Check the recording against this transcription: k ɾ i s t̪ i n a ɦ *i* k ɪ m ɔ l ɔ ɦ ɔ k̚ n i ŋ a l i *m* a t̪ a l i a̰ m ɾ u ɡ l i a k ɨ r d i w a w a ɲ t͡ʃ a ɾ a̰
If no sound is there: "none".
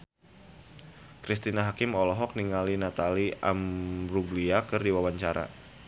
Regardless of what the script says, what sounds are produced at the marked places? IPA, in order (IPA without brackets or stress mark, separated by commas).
a, n